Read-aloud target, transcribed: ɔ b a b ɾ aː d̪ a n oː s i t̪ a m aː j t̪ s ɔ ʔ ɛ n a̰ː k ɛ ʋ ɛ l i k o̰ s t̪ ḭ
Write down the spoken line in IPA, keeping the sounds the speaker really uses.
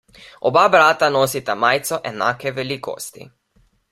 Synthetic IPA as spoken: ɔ b a b ɾ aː t̪ a n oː s i t̪ a m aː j t̪ s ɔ ʔ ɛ n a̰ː k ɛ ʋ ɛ l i k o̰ s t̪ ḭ